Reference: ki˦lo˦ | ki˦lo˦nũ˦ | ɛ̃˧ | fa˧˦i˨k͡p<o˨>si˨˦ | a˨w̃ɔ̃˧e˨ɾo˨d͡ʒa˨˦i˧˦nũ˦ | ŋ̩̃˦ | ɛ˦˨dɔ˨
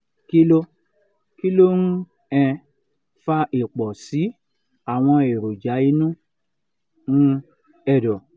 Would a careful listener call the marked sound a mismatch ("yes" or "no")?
yes